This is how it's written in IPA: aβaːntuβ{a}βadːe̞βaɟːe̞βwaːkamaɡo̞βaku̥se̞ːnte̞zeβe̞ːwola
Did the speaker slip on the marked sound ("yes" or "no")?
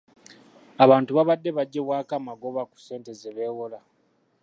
no